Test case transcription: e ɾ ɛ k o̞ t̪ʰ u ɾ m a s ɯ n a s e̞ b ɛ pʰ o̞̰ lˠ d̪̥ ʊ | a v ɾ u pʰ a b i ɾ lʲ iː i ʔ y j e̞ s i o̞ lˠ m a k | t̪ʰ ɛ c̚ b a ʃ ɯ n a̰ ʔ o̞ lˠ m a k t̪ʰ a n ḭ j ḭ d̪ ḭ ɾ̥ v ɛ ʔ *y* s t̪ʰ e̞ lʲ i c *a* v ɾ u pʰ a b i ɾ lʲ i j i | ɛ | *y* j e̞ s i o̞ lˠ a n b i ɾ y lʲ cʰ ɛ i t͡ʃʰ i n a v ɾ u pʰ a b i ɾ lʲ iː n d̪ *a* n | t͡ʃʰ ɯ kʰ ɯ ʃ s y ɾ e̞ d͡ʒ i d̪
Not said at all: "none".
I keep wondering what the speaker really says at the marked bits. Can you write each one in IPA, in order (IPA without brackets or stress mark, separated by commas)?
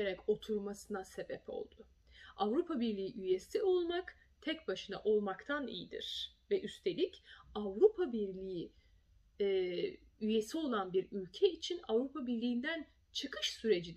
y, a, y, æ